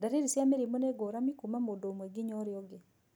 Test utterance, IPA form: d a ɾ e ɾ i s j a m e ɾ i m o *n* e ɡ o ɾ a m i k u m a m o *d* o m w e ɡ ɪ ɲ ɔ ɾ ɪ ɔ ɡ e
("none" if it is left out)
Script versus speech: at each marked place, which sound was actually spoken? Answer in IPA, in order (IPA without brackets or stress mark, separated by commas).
n, d